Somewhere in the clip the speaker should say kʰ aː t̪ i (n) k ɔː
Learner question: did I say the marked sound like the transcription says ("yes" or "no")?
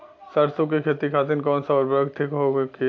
yes